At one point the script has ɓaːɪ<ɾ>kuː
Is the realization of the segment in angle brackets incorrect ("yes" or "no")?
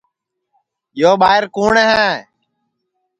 no